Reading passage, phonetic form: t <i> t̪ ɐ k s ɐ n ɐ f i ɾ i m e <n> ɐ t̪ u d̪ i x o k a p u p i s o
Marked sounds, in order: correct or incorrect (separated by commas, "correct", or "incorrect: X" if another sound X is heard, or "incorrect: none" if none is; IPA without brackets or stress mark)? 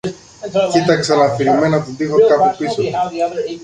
correct, correct